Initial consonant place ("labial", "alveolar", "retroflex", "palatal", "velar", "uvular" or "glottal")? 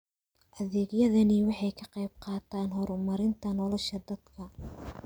glottal